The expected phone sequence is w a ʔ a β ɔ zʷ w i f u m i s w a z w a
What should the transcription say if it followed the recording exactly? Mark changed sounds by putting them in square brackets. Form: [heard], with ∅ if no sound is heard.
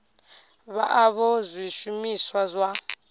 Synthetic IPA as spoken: [β] a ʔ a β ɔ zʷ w i [ʃ] u m i s w a z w a

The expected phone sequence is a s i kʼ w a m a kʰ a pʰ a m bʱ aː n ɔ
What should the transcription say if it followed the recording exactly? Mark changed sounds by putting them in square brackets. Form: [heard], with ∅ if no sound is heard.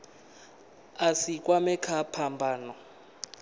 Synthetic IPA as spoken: a s i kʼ w a m [ɛ] kʰ a pʰ a m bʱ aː n ɔ

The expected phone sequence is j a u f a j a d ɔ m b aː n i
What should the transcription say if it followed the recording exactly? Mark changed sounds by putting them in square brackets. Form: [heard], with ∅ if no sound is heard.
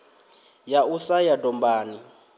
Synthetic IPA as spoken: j a u [s] a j a d ɔ m b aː n i

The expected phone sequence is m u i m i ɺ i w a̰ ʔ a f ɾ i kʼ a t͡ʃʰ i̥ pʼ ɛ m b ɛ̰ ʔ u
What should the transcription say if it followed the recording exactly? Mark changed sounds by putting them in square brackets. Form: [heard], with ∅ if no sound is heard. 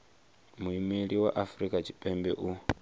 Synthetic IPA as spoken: m u i m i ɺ i w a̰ ʔ a f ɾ i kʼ a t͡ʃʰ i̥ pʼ ɛ m b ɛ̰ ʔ u

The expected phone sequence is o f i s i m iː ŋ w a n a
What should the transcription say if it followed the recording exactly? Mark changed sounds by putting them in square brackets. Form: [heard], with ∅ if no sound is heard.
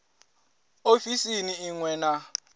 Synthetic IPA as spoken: o f i s i [n] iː ŋ w [ɛ] n a

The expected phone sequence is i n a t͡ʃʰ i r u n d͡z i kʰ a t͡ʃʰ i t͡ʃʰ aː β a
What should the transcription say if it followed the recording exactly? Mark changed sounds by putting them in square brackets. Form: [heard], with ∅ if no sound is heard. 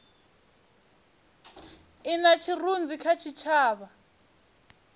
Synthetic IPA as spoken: i n a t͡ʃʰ i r u n d͡z i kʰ a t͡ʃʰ i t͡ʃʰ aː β a

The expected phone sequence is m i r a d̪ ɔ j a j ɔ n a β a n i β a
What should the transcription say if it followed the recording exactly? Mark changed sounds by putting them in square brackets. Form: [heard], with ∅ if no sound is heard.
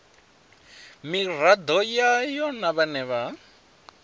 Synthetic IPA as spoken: m i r a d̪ ɔ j a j ɔ n a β a n [ɛ] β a

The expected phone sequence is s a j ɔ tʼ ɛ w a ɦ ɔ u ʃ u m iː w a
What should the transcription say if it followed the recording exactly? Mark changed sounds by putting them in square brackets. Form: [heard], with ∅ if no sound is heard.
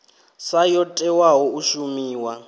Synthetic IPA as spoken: s a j ɔ tʼ ɛ w a ɦ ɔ u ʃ u m iː w a

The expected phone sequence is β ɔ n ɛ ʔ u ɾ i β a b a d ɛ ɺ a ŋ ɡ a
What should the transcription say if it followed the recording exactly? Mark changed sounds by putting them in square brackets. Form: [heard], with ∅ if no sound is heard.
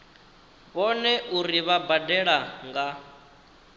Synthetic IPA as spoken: β ɔ n ɛ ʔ u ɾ i β a b a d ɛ ɺ a ŋ ɡ a

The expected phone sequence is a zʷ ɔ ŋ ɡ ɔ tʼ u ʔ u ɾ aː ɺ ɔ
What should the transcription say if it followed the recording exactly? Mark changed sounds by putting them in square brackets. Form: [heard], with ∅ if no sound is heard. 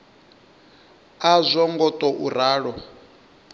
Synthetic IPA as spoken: a zʷ ɔ ŋ ɡ ɔ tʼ [ɔ] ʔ u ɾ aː ɺ ɔ

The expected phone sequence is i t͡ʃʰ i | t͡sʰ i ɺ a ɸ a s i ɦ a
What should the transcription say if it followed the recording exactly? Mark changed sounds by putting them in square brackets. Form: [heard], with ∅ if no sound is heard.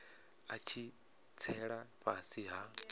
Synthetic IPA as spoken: [a] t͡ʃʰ i | t͡sʰ [ɛ] ɺ a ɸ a s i ɦ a

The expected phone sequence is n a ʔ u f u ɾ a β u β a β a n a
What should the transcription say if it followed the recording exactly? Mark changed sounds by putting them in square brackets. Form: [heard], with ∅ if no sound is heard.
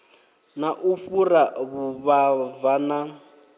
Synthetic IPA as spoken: n a ʔ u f u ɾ a β u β a [v] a n a

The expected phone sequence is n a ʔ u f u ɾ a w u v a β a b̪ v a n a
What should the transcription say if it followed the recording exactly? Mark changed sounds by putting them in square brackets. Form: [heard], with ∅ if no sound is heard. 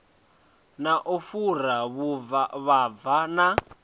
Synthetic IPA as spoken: n a ʔ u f u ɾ a [β] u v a β a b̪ v a n a

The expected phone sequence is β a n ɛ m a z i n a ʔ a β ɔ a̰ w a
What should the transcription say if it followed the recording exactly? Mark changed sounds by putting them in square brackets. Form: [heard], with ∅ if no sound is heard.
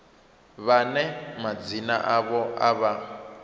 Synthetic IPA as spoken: β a n ɛ m a [d͡z] i n a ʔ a β ɔ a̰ [β] a

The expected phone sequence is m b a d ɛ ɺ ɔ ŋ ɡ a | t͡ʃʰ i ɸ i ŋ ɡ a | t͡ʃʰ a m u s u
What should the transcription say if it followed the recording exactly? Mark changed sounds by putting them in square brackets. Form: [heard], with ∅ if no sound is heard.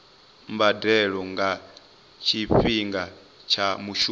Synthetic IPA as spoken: m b a d ɛ ɺ ɔ ŋ ɡ a | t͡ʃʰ i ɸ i ŋ ɡ a | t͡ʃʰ a m u [ʃ] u

